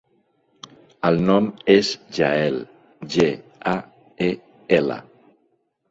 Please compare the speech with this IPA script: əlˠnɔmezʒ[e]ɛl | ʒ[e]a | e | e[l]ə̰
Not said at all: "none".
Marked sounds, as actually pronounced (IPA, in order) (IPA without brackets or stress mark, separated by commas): a, e, l